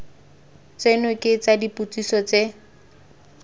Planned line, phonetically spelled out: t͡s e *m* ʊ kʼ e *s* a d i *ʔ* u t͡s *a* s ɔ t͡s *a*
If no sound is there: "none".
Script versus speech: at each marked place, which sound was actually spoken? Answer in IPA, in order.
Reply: n, t͡s, p, i, e

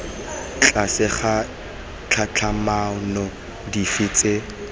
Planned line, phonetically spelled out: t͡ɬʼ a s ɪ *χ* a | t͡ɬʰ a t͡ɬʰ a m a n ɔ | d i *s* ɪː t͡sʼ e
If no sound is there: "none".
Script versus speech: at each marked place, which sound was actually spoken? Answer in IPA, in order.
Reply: χ, f

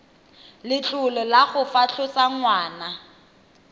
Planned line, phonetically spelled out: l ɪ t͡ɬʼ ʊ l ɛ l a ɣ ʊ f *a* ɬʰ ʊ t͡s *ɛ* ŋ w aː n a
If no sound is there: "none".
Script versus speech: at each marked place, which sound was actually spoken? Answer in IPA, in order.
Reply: a, a

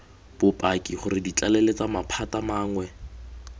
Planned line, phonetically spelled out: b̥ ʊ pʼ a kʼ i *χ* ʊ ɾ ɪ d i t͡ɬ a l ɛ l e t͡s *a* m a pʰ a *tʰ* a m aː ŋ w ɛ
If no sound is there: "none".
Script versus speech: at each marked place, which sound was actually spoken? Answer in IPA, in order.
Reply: χ, a, t

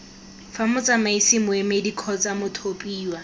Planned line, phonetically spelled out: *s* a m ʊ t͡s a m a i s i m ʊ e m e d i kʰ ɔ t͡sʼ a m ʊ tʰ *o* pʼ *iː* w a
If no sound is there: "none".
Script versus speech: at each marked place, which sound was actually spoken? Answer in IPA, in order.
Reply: f, o, iː

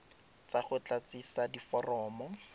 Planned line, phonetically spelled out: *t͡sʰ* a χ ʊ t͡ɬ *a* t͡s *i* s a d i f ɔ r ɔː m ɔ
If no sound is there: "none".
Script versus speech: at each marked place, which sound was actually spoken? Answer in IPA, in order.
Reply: t͡s, a, i

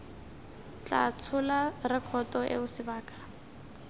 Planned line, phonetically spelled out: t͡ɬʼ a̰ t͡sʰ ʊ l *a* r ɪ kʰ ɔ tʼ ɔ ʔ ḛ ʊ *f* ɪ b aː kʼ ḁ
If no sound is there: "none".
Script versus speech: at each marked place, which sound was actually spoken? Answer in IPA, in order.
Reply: a, s

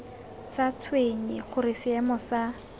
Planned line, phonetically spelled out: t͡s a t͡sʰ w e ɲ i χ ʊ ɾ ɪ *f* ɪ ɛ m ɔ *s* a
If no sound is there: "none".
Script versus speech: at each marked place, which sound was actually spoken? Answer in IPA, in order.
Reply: s, s

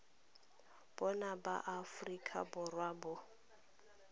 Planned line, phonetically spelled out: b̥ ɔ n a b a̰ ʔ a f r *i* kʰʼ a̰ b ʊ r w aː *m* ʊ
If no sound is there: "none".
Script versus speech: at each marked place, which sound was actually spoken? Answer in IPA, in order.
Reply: i, b

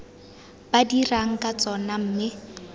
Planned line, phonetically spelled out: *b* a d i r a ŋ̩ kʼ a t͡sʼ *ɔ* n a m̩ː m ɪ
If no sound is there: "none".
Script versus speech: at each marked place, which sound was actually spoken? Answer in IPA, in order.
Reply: b, ɔ

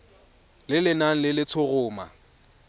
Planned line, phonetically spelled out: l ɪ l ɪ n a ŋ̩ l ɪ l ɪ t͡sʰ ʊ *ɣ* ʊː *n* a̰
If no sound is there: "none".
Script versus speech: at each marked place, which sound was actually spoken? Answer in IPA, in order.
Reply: ɣ, m

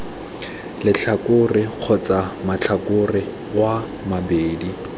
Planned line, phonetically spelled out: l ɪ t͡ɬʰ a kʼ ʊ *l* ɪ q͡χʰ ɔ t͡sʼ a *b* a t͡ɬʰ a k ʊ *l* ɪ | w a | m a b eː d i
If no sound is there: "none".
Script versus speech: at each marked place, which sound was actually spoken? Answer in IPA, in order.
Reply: r, m, r

